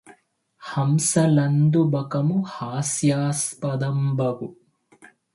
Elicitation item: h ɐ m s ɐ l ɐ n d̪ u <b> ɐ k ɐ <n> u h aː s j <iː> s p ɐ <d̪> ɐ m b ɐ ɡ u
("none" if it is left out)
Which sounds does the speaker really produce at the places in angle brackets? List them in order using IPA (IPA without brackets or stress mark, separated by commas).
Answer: b, m, aː, d̪